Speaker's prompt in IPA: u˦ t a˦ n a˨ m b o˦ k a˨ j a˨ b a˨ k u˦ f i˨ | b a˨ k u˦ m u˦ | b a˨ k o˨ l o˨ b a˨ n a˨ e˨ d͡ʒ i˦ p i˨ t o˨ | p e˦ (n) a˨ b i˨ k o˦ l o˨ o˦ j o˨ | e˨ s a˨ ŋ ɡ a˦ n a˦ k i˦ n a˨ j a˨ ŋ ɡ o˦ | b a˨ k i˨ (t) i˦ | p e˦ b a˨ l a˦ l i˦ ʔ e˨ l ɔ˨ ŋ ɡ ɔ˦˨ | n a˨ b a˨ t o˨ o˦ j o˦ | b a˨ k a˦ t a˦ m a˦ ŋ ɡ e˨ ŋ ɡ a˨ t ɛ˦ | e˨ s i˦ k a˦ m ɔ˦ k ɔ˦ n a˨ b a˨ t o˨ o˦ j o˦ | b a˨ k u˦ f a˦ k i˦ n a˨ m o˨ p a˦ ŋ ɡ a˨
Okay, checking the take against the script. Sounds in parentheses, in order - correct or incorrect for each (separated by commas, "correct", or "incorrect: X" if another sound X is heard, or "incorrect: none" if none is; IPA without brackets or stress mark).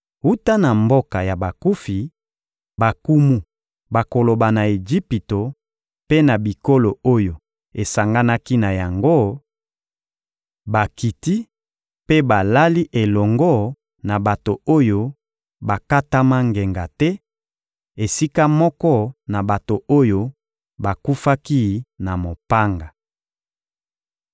correct, correct